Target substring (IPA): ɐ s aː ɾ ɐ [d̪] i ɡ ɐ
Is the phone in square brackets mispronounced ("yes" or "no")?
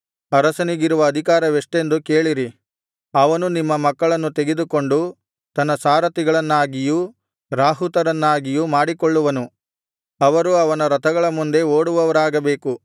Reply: yes